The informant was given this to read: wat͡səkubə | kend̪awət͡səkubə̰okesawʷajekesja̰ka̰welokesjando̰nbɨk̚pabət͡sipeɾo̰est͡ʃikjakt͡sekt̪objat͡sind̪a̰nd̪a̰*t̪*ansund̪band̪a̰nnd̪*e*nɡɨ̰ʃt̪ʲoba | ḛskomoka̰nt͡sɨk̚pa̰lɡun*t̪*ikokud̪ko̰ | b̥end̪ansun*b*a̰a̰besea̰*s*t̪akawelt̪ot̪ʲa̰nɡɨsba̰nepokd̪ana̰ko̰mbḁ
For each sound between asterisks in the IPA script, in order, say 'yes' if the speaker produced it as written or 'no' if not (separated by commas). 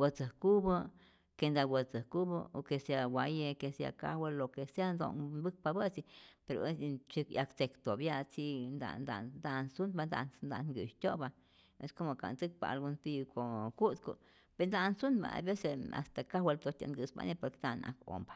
no, no, yes, yes, yes